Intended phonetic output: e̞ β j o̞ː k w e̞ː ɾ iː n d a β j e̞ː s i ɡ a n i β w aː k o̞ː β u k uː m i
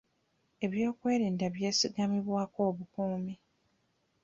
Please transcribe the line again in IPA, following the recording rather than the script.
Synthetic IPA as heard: e̞ β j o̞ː k w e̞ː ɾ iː n d a β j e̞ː s i ɡ a m i β w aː k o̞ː β u k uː m i